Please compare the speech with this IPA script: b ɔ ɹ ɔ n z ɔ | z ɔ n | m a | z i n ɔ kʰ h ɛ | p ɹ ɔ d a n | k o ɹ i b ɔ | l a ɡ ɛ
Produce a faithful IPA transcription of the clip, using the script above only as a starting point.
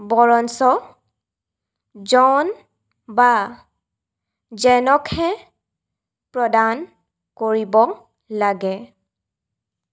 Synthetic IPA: b ɔ ɹ ɔ n s ɔ | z ɔ n | b a | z ɛ n ɔ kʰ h ɛ | p ɹ ɔ d a n | k o ɹ i b ɔ | l a ɡ ɛ